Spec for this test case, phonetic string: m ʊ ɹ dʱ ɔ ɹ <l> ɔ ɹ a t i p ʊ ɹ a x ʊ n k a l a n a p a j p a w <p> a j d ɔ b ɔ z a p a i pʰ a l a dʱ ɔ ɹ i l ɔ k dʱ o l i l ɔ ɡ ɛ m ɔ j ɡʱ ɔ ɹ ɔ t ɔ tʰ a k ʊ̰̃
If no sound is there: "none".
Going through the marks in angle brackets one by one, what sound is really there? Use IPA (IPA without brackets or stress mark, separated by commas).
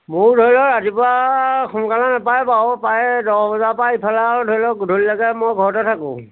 l, p